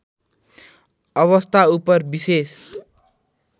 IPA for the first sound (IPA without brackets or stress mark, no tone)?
ʌ